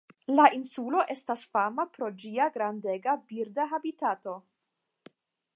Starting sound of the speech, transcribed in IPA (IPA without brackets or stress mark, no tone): l